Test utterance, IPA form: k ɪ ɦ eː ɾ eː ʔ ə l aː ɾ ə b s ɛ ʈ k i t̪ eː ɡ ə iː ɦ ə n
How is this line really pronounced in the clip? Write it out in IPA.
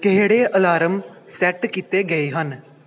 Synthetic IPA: k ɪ ɦ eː ɽ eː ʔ ə l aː ɾ ə m s ɛ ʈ k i t̪ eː ɡ ə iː ɦ ə n